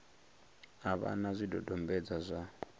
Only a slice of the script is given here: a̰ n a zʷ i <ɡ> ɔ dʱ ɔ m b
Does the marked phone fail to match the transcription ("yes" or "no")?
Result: yes